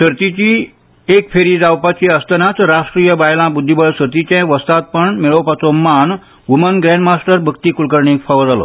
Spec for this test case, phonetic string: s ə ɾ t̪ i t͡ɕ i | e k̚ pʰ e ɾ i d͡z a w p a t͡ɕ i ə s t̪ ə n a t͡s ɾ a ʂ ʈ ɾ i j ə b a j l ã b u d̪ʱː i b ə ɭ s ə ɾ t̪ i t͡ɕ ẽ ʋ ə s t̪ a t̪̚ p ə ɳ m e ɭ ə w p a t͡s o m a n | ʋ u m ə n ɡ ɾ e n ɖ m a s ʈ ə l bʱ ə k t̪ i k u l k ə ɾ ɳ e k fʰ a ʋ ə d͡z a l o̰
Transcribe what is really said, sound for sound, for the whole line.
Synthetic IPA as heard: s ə ɾ t̪ i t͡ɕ i | e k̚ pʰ e ɾ i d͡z a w p a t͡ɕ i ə s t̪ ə n a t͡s ɾ a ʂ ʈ ɾ i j ə b a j l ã b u d̪ʱː i b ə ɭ s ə ɾ t̪ i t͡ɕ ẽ ʋ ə s t̪ a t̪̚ p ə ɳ m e ɭ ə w p a t͡s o m a n | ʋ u m ə n ɡ ɾ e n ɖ m a s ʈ ə ɾ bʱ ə k t̪ i k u l k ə ɾ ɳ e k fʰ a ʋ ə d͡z a l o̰

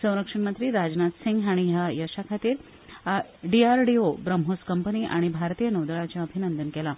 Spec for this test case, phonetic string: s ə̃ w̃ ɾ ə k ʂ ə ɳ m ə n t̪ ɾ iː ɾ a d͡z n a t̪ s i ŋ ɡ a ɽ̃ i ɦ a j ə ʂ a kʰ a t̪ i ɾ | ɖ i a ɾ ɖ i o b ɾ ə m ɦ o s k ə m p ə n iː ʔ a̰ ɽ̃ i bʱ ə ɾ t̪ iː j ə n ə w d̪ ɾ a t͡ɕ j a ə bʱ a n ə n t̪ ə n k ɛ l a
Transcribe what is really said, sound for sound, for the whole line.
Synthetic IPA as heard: s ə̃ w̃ ɾ ə k ʂ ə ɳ m ə n t̪ ɾ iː ɾ a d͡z n a t̪ s i ŋ ɡ a ɽ̃ i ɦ a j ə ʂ a kʰ a t̪ iː ɾ | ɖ i a ɾ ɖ i o b ɾ ə m ɦ o s k ə m p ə n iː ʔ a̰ ɽ̃ i bʱ a ɾ t̪ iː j ə n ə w d̪ ɭ a t͡ɕ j a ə bʱ i n ə n d̪ ə n k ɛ l a

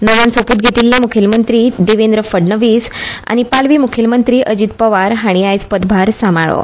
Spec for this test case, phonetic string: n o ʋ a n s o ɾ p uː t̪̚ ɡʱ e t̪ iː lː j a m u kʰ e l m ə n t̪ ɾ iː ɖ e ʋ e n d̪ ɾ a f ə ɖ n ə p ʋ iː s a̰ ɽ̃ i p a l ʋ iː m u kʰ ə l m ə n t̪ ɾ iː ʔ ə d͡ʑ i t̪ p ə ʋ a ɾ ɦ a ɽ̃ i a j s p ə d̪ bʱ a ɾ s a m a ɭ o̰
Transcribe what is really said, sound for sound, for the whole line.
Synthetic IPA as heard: n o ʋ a n s o p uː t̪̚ ɡʱ e t̪ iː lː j a m u kʰ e l m ə n t̪ ɾ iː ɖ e ʋ e n d̪ ɾ ə f ə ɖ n ə ʋ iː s a̰ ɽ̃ i p a l ʋ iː m u kʰ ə l m ə n t̪ ɾ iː ʔ ə d͡ʑ i t̪ p ə ʋ a ɾ ɦ a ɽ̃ i a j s p ə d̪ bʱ a ɾ s a m a ɭ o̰

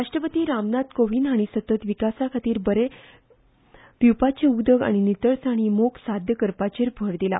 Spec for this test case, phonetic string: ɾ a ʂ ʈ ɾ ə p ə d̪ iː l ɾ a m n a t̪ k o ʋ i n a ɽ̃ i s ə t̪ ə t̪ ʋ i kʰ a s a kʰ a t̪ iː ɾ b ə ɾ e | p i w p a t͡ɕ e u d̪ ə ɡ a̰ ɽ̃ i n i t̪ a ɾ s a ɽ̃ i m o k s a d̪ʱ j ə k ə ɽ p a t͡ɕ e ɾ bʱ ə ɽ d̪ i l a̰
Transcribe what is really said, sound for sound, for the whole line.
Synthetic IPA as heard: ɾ a ʂ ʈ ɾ ə p ə t̪ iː ɾ a m n a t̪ k o ʋ i n a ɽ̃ i s ə t̪ ə t̪ ʋ i k a s a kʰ a t̪ iː ɾ b ə ɾ e | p i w p a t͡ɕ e u d̪ ə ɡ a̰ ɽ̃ i n i t̪ ə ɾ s a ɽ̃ i m o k s a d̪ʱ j ə k ə ɾ p a t͡ɕ e ɾ bʱ ə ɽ d̪ i l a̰

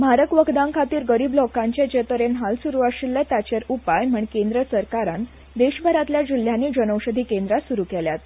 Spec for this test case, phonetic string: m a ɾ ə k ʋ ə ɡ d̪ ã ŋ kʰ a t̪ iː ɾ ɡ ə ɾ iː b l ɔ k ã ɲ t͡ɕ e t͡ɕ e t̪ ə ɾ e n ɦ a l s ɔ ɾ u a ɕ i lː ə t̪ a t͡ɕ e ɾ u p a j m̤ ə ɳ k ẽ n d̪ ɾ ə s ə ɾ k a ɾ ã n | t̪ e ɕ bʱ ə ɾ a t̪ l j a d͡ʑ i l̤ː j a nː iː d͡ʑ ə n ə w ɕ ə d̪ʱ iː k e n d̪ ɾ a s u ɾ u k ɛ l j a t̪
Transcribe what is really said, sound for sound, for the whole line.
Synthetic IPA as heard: m a ɾ ə k ʋ ə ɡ d̪ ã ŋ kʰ a t̪ iː ɾ ɡ ə ɾ iː b l ɔ k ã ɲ t͡ɕ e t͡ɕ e t̪ ə ɾ e n ɦ a l s u ɾ u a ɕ i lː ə t̪ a t͡ɕ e ɾ u p a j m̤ ə ɳ k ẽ n d̪ ɾ ə s ə ɾ k a ɾ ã n | d̪ e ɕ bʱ ə ɾ a t̪ l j a d͡ʑ i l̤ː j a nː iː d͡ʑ ə n ə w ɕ ə d̪ʱ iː k e n d̪ ɾ a s u ɾ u k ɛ l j a t̪

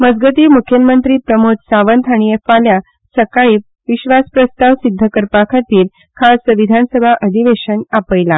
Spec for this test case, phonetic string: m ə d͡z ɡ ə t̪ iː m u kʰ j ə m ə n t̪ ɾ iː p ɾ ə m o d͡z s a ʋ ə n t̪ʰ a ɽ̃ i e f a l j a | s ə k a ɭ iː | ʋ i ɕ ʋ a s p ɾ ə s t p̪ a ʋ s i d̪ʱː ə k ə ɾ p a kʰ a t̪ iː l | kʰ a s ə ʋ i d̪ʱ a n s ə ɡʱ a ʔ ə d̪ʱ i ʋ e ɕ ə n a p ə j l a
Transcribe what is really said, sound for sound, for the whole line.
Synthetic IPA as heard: m ə d͡z ɡ ə t̪ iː m u kʰ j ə m ə n t̪ ɾ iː p ɾ ə m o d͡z s a ʋ ə n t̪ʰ a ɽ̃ i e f a l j a | s ə k a ɭ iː | ʋ i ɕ ʋ a s p ɾ ə s t p̪ a ʋ s i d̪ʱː ə k ə ɾ p a kʰ a t̪ iː l | kʰ a s ə ʋ i d̪ʱ a n s ə bʱ a ʔ ə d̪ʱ i ʋ e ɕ ə n a p ə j l a

